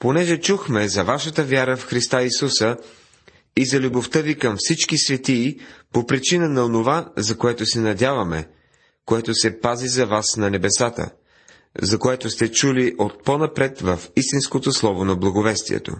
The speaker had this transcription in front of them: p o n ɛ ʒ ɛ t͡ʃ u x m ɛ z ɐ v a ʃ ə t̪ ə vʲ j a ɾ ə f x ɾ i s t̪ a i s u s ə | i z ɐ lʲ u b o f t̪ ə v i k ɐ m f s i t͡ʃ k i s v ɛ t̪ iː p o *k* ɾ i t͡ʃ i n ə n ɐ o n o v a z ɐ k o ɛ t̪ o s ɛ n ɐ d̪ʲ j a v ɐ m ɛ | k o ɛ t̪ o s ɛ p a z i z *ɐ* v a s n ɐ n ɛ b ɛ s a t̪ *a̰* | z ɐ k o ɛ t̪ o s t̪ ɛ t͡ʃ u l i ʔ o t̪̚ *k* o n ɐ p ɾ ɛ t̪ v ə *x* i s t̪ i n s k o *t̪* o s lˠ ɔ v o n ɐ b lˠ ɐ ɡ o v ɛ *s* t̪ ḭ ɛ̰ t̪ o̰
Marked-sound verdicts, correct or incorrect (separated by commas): incorrect, correct, incorrect, incorrect, incorrect, correct, correct